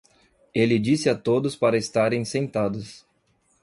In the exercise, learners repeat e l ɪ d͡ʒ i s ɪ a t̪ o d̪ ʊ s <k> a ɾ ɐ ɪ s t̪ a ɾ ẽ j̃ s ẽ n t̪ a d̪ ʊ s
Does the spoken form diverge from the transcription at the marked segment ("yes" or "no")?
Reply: yes